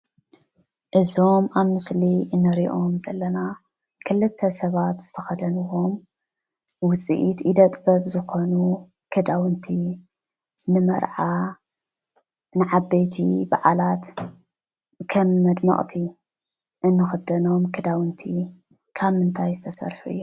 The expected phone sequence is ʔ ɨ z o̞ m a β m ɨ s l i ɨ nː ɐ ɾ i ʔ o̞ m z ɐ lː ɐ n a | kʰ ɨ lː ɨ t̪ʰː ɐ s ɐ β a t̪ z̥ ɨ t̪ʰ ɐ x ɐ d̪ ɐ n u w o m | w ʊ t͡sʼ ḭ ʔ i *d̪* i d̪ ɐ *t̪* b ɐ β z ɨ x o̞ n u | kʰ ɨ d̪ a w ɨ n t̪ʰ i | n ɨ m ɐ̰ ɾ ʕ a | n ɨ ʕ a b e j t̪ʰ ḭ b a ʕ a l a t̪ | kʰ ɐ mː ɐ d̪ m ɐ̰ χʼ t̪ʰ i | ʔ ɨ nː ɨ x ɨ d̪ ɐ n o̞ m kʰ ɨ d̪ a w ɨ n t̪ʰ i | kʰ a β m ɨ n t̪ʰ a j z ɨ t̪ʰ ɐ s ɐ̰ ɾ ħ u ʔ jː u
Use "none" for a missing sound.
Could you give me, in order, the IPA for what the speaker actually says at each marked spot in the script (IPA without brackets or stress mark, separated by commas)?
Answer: t̪, t̪ʼ